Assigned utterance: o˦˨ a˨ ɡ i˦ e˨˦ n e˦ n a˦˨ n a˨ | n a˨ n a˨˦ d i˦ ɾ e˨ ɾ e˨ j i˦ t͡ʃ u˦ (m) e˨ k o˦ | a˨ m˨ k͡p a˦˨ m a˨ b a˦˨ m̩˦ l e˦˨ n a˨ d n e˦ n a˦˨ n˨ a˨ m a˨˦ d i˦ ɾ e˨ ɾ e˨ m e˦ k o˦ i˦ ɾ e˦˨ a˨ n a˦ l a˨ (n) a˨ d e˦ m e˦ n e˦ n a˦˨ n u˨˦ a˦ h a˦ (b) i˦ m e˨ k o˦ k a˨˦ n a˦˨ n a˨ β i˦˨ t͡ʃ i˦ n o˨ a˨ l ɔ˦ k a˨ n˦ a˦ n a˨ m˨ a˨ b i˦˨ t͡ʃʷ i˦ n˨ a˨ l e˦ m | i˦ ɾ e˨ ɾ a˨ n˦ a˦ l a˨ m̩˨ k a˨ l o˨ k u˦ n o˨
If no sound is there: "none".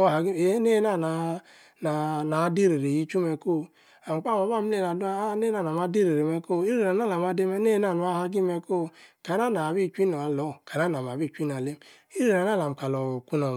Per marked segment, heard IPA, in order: m, m, ɡ

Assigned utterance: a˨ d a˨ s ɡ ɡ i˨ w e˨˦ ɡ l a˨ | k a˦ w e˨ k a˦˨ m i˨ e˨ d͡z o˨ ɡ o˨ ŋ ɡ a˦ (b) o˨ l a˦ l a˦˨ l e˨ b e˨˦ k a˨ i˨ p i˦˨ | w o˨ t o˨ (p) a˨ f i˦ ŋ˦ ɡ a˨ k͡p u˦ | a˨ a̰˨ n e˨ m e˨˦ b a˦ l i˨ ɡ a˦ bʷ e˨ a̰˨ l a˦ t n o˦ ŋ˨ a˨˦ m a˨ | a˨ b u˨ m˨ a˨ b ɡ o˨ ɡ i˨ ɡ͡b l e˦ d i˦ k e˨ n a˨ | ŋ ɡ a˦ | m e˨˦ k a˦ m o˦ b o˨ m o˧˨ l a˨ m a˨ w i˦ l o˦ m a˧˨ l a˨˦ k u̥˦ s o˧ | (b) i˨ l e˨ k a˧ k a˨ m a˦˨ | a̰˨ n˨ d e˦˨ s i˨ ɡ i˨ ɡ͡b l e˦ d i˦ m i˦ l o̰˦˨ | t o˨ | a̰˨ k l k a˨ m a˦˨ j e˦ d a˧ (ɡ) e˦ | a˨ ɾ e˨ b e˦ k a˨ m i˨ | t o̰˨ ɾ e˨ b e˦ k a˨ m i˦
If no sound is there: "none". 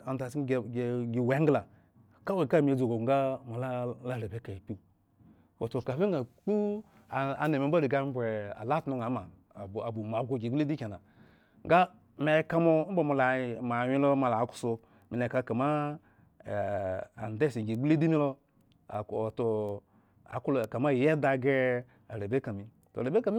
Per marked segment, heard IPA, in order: m, k, m, ɡ

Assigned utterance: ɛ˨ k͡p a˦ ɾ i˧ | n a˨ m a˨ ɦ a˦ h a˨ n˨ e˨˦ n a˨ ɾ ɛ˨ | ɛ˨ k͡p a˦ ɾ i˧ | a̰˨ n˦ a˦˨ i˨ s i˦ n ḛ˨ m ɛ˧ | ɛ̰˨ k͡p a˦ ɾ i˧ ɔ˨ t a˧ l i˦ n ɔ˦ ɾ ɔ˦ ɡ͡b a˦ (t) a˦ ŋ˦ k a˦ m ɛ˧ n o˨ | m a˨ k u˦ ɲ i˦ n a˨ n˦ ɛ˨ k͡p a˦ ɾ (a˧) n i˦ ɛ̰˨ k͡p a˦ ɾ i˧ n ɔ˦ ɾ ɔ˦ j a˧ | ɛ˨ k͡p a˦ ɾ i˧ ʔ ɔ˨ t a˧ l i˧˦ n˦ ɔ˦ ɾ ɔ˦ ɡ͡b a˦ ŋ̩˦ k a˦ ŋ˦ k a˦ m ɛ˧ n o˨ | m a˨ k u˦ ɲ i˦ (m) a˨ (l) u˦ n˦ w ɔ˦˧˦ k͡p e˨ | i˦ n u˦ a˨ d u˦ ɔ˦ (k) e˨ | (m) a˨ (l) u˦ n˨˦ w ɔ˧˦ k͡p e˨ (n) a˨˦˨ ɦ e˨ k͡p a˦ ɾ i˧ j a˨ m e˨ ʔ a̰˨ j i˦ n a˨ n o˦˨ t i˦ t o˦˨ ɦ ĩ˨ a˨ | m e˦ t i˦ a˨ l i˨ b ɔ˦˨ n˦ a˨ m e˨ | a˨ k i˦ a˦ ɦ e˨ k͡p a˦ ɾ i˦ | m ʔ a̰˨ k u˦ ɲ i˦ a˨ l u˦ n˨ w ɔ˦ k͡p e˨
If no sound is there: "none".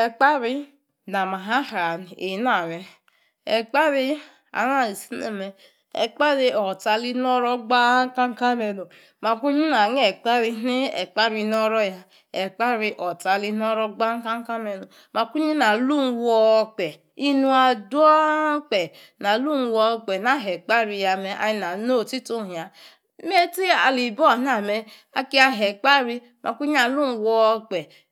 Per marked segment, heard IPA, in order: k, i˧, n, l, k͡p, n, l, n

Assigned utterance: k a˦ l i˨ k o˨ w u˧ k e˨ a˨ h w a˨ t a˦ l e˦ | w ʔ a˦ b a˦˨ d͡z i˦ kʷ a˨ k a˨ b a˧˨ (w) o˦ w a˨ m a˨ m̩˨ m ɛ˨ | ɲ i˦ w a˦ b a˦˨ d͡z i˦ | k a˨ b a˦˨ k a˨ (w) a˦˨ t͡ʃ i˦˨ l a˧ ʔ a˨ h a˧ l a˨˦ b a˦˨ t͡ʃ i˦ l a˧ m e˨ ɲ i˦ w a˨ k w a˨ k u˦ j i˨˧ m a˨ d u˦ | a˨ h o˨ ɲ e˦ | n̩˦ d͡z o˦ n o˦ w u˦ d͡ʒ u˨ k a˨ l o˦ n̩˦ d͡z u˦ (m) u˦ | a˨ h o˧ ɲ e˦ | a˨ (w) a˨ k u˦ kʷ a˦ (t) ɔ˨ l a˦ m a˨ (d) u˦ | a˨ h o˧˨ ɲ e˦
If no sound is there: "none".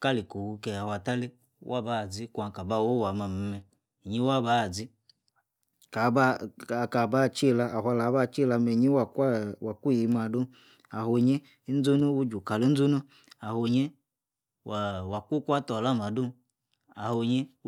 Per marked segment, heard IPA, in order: w, b, n, w, t, d

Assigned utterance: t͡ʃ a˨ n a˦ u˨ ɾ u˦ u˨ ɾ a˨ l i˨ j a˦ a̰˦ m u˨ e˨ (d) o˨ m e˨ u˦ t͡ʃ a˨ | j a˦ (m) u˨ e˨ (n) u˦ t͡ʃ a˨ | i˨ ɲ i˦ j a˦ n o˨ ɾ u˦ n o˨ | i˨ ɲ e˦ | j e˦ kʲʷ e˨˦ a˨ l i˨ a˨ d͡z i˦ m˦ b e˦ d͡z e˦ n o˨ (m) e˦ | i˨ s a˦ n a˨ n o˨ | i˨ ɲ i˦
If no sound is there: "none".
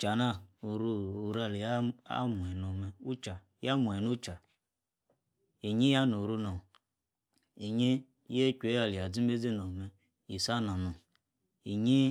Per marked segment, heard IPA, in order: n, m, n, m

